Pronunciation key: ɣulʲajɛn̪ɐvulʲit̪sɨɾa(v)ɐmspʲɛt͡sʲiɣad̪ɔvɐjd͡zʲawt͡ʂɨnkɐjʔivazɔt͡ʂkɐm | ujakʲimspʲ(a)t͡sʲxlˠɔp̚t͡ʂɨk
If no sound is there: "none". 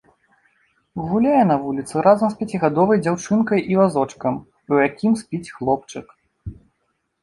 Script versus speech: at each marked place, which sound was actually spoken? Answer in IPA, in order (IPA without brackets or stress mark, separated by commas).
z, i